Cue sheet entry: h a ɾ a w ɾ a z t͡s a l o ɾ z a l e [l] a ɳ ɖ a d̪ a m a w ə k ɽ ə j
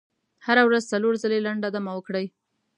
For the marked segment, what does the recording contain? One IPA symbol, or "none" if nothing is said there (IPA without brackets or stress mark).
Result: l